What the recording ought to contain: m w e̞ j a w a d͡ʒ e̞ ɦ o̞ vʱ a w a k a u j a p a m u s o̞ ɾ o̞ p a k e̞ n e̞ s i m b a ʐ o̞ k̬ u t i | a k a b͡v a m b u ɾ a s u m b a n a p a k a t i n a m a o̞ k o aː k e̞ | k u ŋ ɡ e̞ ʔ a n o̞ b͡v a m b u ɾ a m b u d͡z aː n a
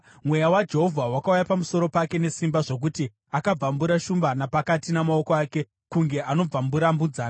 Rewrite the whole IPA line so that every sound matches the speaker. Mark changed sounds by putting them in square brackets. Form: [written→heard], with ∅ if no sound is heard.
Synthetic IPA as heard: m w e̞ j a w a d͡ʒ e̞ ɦ o̞ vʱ a w a k a u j a p a m u s o̞ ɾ o̞ p a k e̞ n e̞ s i m b a ʐ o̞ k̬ u t i | a k a b͡v a m b u ɾ a [s→ʃ] u m b a n a p a k a t i n a m a o̞ k o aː k e̞ | k u ŋ ɡ e̞ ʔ a n o̞ b͡v a m b u ɾ a m b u d͡z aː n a

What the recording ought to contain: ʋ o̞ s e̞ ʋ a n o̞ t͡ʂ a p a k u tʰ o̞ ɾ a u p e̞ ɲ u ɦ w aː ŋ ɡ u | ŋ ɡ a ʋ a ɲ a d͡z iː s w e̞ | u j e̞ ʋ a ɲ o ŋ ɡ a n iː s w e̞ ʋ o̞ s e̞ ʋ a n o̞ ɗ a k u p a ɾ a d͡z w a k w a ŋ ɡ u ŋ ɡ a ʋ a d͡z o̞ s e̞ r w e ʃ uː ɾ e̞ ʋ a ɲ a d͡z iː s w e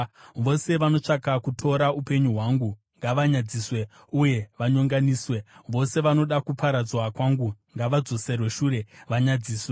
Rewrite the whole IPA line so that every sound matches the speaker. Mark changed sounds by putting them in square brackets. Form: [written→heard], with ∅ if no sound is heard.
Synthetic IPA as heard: ʋ o̞ s e̞ ʋ a n o̞ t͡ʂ a [p→k] a k u tʰ o̞ ɾ a u p e̞ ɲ u ɦ w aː ŋ ɡ u | ŋ ɡ a ʋ a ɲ a d͡z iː s w e̞ | u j e̞ ʋ a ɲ o ŋ ɡ a n iː s w e̞ ʋ o̞ s e̞ ʋ a n o̞ ɗ a k u p a ɾ a d͡z w a k w a ŋ ɡ u ŋ ɡ a ʋ a d͡z o̞ s e̞ r w e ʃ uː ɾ e̞ ʋ a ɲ a d͡z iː s w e

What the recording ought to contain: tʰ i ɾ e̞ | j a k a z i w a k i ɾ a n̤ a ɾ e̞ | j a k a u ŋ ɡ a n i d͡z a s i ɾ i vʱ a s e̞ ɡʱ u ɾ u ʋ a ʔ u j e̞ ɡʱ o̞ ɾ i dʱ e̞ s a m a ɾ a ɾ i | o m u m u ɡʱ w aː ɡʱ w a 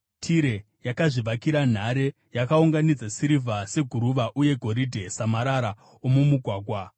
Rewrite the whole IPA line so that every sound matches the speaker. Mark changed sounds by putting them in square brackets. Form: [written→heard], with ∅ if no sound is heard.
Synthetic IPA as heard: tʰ i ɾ e̞ | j a k a [z→ʐ] i [w→ʋ] a k i ɾ a n̤ a ɾ e̞ | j a k a u ŋ ɡ a n i d͡z a s i ɾ i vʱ a s e̞ ɡʱ u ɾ u ʋ a ʔ u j e̞ ɡʱ o̞ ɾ i dʱ e̞ s a m a ɾ a ɾ [i→a] | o m u m u ɡʱ w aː ɡʱ w a

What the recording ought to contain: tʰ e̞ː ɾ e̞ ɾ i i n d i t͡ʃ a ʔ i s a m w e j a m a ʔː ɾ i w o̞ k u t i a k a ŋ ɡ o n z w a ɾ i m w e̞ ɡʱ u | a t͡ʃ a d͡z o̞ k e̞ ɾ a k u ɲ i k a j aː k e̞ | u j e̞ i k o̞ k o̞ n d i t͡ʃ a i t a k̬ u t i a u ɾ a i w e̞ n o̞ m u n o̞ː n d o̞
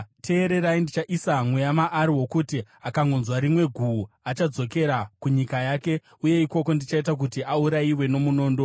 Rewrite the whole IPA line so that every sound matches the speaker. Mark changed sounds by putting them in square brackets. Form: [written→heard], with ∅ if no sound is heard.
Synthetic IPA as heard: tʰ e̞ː ɾ e̞ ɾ [i→a] i n d i t͡ʃ a ʔ i s a m w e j a m a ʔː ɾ i w o̞ k u t i a k a ŋ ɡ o n z w a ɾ i m w e̞ ɡʱ u | a t͡ʃ a d͡z o̞ k e̞ ɾ a k u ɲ i k a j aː k e̞ | u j e̞ i k o̞ k o̞ n d i t͡ʃ a i t a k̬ u t i a u ɾ a i w e̞ n o̞ m u n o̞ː n d o̞

